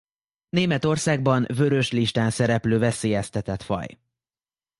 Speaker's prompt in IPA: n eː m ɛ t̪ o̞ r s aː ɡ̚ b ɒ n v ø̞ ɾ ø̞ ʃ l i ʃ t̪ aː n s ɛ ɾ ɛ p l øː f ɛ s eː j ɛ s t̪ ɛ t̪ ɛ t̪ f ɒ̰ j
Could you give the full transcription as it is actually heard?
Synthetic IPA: n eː m ɛ t̪ o̞ r s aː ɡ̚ b ɒ n v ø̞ ɾ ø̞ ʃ l i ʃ t̪ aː n s ɛ ɾ ɛ p l øː v ɛ s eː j ɛ s t̪ ɛ t̪ ɛ t̪ f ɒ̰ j